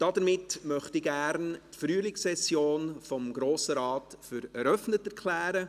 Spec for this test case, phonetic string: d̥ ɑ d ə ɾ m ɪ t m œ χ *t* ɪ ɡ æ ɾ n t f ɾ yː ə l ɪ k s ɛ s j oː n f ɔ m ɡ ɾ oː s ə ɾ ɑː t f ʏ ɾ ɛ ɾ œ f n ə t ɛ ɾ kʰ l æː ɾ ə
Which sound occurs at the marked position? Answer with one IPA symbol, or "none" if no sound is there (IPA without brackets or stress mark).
t